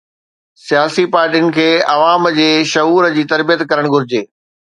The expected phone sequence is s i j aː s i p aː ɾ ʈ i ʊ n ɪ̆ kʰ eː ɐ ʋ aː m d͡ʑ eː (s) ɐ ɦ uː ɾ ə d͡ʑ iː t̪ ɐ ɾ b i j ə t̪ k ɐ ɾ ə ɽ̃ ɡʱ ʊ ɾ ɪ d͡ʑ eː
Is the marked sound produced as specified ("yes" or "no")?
no